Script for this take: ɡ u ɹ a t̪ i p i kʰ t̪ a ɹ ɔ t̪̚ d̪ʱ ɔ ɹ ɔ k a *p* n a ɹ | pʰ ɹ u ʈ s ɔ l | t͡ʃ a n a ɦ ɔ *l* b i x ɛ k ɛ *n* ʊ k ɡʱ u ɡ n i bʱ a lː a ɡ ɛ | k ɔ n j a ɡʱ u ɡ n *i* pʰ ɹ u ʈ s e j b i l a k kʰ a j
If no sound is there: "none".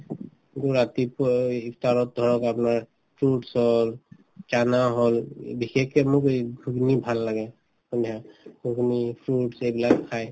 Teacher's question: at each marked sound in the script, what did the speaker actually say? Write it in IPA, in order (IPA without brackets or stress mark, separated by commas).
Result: p, l, m, i